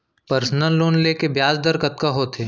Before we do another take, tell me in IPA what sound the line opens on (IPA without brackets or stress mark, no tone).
p